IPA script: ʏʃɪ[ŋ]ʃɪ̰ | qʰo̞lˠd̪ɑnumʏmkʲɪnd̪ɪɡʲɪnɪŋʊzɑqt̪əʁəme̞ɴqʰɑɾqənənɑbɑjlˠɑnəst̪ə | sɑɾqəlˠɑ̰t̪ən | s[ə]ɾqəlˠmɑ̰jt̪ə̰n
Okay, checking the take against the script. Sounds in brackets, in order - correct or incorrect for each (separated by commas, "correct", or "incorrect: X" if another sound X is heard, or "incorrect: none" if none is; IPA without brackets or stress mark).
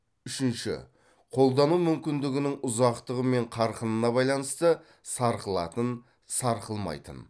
incorrect: n, incorrect: ɑ